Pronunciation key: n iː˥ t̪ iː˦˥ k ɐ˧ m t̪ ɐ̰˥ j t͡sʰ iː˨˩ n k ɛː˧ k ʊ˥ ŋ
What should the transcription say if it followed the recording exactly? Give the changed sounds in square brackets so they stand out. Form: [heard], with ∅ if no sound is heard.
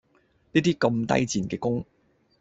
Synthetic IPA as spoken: n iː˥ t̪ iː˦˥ k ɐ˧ m t̪ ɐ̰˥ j [t͡s] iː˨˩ n k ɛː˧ k ʊ˥ ŋ